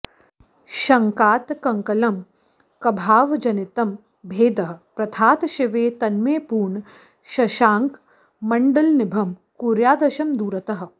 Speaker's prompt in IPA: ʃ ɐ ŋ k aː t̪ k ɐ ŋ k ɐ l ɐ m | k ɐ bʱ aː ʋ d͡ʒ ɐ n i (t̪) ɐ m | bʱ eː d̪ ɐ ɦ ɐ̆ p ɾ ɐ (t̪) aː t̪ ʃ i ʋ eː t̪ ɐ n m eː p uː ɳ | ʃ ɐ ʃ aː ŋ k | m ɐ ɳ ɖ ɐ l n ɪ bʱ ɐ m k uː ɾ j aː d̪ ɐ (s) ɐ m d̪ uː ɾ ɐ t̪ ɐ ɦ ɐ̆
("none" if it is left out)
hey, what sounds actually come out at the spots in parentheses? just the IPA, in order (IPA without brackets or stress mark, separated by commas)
t̪, t̪ʰ, ʃ